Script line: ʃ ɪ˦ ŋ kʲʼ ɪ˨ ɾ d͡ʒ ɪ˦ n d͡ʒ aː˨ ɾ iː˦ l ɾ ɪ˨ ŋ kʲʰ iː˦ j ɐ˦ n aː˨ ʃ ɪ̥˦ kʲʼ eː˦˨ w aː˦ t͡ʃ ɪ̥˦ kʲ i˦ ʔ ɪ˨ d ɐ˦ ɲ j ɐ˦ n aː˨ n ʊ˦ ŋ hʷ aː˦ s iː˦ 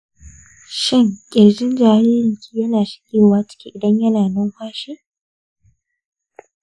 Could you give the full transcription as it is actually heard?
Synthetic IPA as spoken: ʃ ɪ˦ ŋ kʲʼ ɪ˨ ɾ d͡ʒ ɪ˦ n d͡ʒ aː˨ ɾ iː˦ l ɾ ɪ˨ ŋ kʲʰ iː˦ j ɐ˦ n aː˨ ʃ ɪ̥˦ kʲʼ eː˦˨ w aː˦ t͡ʃ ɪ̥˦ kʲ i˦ ʔ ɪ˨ d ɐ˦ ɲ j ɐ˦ n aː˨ n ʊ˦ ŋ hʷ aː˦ ʃ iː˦

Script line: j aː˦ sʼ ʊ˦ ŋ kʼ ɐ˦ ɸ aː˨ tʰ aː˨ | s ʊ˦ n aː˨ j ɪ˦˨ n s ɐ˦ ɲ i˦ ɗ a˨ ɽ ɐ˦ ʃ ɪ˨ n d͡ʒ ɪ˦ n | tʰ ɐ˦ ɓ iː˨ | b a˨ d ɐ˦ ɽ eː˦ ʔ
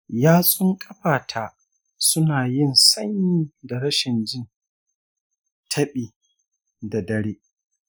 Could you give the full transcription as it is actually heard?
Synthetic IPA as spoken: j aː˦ sʼ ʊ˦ ŋ kʼ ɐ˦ ɸ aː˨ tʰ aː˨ | s ʊ˦ n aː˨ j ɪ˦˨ n s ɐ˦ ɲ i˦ d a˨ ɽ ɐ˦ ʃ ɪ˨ n d͡ʒ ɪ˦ n | tʰ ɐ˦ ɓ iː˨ | d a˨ d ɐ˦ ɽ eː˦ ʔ

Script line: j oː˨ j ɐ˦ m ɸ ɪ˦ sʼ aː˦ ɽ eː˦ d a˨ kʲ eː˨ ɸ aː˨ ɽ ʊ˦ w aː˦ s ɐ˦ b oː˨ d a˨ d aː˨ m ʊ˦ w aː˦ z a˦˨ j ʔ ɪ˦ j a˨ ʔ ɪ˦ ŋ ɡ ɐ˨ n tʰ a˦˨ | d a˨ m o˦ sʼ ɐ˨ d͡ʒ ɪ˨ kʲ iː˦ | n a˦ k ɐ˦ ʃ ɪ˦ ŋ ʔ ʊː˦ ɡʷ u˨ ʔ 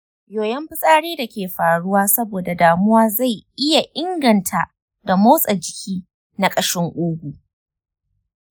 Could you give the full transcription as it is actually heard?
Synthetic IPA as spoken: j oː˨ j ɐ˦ m ɸ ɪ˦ sʼ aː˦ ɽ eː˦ d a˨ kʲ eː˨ ɸ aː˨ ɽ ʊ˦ w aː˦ s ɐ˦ b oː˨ d a˨ d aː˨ m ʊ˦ w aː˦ z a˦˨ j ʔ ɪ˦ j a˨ ʔ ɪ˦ ŋ ɡ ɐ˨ n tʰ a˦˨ | d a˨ m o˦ sʼ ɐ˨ d͡ʒ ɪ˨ kʲ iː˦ | n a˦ kʼ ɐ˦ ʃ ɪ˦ ŋ ʔ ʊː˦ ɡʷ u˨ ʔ

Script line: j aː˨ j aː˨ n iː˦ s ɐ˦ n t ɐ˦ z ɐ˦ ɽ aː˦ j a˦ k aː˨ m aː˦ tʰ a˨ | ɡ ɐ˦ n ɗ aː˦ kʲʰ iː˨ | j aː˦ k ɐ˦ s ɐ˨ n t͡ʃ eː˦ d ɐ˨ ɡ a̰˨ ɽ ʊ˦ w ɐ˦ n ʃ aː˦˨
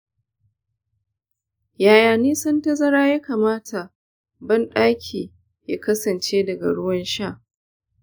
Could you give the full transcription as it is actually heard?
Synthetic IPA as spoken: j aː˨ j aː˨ n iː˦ s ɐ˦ n t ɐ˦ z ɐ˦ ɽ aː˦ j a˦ k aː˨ m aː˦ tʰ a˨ | b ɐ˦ n ɗ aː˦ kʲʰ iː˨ | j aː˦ k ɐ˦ s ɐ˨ n t͡ʃ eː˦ d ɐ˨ ɡ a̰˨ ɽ ʊ˦ w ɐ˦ n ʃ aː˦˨

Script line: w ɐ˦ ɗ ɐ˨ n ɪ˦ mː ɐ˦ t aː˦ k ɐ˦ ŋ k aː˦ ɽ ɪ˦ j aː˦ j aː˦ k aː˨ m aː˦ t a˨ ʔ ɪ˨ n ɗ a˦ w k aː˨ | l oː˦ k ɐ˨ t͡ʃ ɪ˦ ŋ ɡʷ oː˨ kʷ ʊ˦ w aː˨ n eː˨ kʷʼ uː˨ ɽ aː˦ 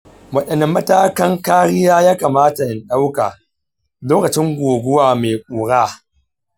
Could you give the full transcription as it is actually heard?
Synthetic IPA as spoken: w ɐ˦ ɗ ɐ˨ n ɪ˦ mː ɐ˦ t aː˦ k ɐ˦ ŋ k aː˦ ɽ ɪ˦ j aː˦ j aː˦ k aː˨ m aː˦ t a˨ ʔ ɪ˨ n ɗ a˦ w k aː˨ | l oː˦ k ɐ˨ t͡ʃ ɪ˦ ŋ ɡʷ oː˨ ɡʷ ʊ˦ w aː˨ m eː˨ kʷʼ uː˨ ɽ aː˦

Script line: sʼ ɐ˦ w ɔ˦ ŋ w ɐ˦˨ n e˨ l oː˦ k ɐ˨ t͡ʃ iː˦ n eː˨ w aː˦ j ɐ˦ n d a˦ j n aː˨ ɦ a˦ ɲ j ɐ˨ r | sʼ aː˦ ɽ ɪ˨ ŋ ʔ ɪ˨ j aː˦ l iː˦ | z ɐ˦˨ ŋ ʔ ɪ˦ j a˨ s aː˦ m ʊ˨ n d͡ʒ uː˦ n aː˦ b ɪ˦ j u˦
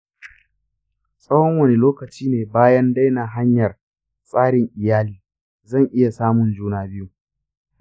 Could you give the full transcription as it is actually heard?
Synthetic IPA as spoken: sʼ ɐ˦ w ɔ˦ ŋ w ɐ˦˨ n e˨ l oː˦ k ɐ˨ t͡ʃ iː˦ n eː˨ b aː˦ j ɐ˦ n d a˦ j n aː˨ ɦ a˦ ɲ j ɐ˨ r | sʼ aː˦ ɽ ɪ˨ ŋ ʔ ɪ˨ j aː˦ l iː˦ | z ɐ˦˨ ŋ ʔ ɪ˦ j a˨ s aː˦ m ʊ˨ n d͡ʒ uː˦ n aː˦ b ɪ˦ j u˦

